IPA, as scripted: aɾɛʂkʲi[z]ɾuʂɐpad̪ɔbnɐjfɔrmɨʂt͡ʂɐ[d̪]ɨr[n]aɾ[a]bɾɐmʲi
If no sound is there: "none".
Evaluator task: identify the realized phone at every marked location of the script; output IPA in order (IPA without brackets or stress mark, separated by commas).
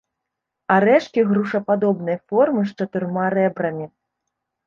ɣ, t̪, m, ɛ